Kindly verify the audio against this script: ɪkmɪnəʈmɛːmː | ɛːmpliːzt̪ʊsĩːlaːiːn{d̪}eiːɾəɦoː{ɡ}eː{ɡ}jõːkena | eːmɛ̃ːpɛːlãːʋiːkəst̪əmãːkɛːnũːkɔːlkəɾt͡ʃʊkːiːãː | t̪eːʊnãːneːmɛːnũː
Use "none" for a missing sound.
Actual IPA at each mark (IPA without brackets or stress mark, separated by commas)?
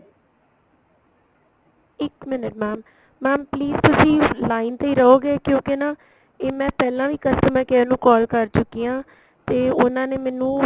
t̪, ɡ, k